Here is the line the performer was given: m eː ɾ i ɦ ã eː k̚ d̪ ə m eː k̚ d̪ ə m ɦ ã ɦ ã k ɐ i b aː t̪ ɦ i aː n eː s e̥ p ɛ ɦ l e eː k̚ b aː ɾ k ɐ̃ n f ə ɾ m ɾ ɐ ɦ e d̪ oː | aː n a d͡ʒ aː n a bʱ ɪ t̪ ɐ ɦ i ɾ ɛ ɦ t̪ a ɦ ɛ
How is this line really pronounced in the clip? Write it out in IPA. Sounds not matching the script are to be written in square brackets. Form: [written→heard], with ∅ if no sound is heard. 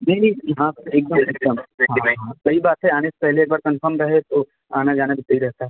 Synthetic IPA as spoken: m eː ɾ i ɦ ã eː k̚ d̪ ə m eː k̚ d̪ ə m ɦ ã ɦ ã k ɐ i b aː t̪ ɦ [i→ɛ] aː n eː s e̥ p ɛ ɦ l e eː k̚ b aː ɾ k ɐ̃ n f ə ɾ m ɾ ɐ ɦ e [d̪→t̪] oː | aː n a d͡ʒ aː n a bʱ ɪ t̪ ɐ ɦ i ɾ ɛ ɦ t̪ a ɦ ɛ

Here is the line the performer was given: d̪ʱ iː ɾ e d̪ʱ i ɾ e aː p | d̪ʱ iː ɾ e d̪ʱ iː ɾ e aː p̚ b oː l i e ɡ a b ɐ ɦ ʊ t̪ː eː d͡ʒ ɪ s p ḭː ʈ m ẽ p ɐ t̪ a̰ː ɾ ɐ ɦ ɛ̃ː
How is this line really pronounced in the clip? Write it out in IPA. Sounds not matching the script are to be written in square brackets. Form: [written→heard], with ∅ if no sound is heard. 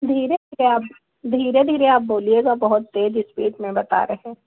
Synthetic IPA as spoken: d̪ʱ iː ɾ e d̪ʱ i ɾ e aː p | d̪ʱ iː ɾ e d̪ʱ iː ɾ e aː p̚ b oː l i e ɡ a b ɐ ɦ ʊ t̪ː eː d͡ʒ ɪ s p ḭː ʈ m ẽ [p→b] ɐ t̪ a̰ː ɾ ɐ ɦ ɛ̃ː

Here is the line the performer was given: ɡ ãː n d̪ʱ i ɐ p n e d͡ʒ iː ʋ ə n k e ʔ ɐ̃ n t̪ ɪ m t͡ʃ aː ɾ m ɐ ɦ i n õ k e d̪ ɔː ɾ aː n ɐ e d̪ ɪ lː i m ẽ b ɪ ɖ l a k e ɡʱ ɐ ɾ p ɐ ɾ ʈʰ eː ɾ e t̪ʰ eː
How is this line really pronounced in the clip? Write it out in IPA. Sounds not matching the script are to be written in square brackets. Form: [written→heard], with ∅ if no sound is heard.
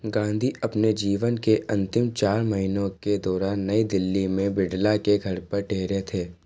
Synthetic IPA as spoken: ɡ ãː n d̪ʱ i ɐ p n e d͡ʒ iː ʋ ə n k e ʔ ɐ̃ n t̪ ɪ m t͡ʃ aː ɾ m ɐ ɦ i n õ k e d̪ ɔː ɾ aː [n→nː] ɐ [e→i] d̪ ɪ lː i m ẽ b ɪ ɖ l a k e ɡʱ ɐ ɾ p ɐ ɾ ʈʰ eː ɾ e t̪ʰ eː

